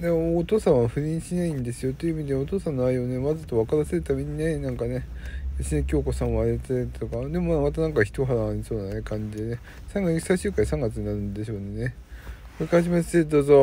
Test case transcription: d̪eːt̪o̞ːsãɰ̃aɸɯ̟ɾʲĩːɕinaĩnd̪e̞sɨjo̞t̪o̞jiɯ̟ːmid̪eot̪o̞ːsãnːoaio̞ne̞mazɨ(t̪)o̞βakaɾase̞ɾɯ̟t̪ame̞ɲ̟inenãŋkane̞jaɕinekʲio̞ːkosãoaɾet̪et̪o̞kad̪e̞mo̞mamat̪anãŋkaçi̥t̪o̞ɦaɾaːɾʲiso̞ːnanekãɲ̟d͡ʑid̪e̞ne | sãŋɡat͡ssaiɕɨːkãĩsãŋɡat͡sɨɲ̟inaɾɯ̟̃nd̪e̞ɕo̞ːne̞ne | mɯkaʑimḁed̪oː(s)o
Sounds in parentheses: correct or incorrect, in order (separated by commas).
correct, incorrect